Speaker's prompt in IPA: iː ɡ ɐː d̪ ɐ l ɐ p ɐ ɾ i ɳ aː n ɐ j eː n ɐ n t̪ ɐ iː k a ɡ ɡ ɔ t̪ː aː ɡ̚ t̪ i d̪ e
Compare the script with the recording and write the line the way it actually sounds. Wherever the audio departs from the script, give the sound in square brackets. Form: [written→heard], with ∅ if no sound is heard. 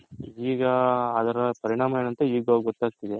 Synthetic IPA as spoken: iː ɡ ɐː d̪ ɐ [l→ɾ] ɐ p ɐ ɾ i ɳ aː [n→m] ɐ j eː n ɐ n t̪ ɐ iː [k→ɡ] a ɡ ɡ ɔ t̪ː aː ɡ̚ t̪ i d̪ e